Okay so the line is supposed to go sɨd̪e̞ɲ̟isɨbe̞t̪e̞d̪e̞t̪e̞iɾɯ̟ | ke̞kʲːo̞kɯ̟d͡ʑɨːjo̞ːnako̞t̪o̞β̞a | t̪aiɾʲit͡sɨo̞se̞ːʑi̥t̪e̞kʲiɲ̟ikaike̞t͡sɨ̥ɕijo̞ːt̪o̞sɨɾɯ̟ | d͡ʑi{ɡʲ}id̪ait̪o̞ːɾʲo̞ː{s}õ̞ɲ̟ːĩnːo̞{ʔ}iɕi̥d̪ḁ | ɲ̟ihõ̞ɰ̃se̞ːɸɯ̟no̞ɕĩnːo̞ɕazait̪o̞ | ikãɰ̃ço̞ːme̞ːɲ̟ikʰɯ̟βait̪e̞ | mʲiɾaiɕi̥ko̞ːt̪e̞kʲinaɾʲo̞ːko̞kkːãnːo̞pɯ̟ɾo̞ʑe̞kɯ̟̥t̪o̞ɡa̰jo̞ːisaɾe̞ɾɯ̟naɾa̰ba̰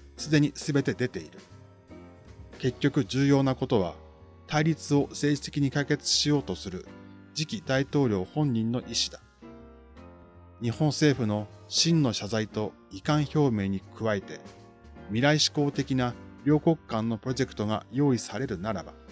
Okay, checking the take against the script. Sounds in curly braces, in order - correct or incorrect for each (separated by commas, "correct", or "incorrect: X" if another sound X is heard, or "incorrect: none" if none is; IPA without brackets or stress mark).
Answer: incorrect: kʲ, incorrect: h, correct